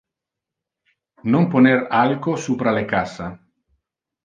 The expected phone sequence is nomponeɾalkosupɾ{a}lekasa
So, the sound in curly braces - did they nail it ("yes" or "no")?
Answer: yes